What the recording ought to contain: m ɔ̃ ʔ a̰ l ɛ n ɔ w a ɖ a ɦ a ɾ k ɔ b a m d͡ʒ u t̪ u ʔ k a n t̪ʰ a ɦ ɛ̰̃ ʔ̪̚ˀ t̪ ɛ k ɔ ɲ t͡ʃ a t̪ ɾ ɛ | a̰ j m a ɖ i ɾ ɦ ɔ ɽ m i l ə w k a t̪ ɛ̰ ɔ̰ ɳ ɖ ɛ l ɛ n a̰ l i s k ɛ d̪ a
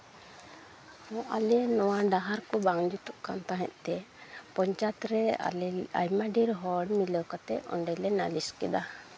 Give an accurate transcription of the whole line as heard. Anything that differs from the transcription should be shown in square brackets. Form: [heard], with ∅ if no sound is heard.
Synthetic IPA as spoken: m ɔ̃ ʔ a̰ l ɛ n ɔ w a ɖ a ɦ a ɾ k ɔ b a [ŋ] d͡ʒ u t̪ u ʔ k a n [t̪] a ɦ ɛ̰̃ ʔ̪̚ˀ t̪ ɛ [p] ɔ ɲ t͡ʃ a t̪ ɾ ɛ | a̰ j m a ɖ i ɾ ɦ ɔ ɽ m i l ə w k a t̪ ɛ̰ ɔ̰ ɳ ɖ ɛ l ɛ n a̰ l i s k ɛ d̪ a

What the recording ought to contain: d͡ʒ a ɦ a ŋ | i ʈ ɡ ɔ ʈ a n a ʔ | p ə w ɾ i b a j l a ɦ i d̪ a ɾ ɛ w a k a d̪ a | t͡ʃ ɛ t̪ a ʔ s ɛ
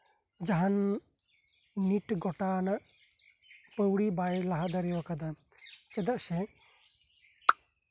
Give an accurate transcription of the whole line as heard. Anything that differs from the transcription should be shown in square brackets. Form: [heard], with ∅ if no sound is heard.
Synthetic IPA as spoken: d͡ʒ a ɦ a [n] | i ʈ ɡ ɔ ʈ a n a ʔ | p ə w [ɽ] i b a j l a ɦ [a] d̪ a ɾ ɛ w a k a d̪ a | t͡ʃ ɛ [d̪] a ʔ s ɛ

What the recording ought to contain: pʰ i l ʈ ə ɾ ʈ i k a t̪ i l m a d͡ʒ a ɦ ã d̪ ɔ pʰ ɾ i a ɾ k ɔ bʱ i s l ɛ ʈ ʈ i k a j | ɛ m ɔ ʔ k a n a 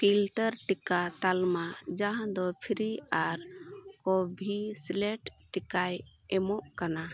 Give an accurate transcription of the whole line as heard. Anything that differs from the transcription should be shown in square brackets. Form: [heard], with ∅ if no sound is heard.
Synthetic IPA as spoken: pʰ i l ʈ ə ɾ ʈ i k a t̪ [a] l m a d͡ʒ a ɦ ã d̪ ɔ pʰ ɾ i a ɾ k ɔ bʱ i s l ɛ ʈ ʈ i k a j | ɛ m ɔ ʔ k a n a

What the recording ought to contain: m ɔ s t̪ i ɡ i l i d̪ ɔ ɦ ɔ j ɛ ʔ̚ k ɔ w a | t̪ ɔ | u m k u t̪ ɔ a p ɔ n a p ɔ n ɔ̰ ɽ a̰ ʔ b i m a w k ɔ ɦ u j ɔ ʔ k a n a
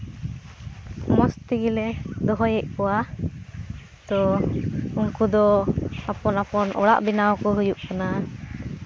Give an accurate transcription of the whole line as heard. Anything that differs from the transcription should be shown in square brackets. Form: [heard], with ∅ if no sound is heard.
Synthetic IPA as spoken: m ɔ s t̪ i ɡ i l [ɛ] d̪ ɔ ɦ ɔ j ɛ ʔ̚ k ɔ w a | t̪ ɔ | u [ŋ] k u [d̪] ɔ a p ɔ n a p ɔ n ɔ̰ ɽ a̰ ʔ b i [n] a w k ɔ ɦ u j [u] ʔ k a n a

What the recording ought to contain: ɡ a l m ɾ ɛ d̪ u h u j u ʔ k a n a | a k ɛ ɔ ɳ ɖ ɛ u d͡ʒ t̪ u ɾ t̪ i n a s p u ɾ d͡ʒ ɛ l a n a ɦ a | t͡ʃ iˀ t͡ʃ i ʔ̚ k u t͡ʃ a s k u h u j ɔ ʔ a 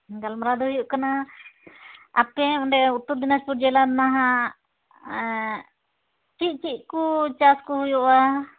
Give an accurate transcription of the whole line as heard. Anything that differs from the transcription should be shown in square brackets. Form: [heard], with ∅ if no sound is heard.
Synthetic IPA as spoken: ɡ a l m ɾ [a] d̪ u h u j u ʔ k a n a | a [p] ɛ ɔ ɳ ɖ ɛ u [∅] t̪ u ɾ [d̪] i n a s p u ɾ d͡ʒ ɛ l a n a ɦ a | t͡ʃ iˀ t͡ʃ i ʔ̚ k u t͡ʃ a s k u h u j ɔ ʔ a

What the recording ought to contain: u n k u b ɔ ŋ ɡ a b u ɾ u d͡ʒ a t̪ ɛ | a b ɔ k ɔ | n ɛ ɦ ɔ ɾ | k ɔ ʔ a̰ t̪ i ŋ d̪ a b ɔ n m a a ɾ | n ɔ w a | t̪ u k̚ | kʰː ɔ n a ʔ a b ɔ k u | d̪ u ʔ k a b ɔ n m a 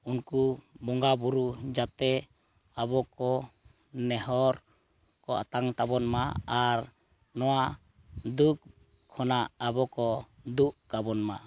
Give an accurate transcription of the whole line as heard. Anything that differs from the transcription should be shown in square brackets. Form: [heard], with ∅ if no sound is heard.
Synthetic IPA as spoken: u n k u b ɔ ŋ ɡ a b u ɾ u d͡ʒ a t̪ ɛ | a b ɔ k ɔ | n ɛ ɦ ɔ ɾ | k ɔ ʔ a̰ t̪ [a] ŋ [t̪] a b ɔ n m a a ɾ | n ɔ w a | [d̪] u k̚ | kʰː ɔ n a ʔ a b ɔ k [ɔ] | d̪ u ʔ k a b ɔ n m a

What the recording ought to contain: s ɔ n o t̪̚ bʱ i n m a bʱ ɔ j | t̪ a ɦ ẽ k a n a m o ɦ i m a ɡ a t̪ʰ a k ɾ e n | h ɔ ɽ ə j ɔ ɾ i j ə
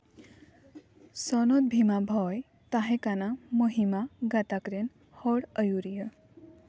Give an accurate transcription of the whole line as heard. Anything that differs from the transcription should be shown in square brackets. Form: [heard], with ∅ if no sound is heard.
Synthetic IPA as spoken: s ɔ n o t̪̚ bʱ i [∅] m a bʱ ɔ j | t̪ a ɦ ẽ k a n a m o ɦ i m a ɡ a [t̪] a k ɾ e n | h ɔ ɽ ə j [u] ɾ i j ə

